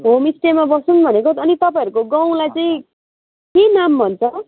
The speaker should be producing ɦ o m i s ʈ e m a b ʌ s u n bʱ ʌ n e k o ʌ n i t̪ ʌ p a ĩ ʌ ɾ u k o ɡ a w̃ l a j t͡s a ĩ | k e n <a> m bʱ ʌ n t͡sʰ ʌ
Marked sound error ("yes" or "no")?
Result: no